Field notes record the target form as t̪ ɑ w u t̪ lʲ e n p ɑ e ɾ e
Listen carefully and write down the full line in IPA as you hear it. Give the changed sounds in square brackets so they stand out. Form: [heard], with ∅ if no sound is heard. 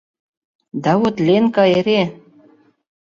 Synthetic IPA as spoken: [d̪] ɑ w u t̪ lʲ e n [k] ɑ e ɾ e